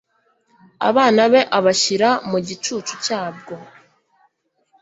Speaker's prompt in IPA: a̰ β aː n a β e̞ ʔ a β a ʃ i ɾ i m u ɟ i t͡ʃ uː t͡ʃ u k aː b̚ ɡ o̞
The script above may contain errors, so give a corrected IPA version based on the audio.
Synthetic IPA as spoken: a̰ β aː n a β e̞ ʔ a β a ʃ i ɾ a m u ɟ i t͡ʃ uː t͡ʃ u c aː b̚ ɡ o̞